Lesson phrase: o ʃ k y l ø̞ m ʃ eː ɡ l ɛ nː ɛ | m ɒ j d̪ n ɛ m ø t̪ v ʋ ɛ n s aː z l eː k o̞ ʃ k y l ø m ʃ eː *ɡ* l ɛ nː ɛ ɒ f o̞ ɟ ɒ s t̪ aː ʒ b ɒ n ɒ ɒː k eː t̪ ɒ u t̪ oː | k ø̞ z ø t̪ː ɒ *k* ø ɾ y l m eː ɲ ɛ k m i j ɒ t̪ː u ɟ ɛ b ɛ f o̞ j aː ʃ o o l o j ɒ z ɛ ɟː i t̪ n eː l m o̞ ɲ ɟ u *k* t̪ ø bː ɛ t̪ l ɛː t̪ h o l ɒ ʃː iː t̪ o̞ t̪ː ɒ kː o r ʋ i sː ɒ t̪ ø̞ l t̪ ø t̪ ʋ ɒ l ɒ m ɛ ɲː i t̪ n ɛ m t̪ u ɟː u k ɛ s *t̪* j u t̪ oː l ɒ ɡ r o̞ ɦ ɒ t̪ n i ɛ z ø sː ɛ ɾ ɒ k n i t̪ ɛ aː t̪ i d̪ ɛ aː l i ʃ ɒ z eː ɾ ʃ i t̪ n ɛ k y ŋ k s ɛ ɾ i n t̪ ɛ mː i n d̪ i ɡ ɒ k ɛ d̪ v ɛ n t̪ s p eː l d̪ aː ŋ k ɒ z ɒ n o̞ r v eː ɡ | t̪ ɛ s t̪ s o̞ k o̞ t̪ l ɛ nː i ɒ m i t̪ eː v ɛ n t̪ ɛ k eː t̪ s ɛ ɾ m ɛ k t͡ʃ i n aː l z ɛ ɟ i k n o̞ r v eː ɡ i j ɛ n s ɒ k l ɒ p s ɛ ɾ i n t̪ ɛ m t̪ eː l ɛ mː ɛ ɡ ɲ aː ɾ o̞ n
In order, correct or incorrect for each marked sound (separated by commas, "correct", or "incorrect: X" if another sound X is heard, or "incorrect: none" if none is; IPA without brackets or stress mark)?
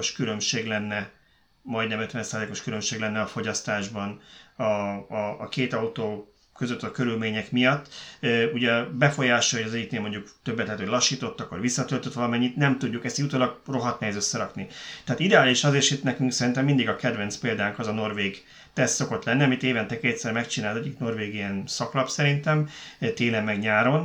correct, correct, correct, correct